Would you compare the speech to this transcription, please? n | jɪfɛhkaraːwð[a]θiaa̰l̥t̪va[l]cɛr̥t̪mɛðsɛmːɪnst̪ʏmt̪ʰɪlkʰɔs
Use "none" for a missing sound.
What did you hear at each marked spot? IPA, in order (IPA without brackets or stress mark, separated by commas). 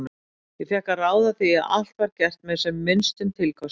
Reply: a, ɾ